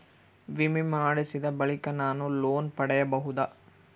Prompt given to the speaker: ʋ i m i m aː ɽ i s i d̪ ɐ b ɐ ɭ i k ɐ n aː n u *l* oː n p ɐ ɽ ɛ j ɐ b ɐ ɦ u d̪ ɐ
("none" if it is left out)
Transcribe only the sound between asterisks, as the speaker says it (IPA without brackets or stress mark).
l